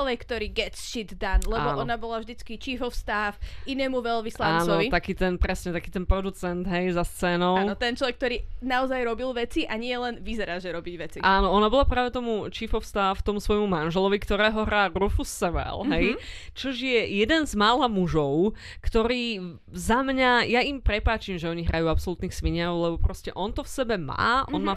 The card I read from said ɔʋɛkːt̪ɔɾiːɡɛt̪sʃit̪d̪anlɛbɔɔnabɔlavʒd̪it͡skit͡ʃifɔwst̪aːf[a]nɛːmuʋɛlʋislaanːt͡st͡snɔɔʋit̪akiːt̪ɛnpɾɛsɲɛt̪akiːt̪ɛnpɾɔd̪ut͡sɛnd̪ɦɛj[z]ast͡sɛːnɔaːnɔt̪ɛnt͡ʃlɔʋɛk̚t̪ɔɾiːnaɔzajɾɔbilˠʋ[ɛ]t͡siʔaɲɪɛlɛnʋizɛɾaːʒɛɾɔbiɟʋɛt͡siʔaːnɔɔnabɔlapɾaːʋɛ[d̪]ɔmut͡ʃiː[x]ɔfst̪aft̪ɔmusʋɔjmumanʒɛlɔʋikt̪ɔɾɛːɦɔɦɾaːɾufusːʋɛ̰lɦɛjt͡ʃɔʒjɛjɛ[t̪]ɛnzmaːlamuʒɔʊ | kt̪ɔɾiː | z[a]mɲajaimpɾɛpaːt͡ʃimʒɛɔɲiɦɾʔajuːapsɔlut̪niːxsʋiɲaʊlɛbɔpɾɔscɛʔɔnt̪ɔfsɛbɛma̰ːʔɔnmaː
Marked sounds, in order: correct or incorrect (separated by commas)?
incorrect, correct, correct, incorrect, incorrect, incorrect, correct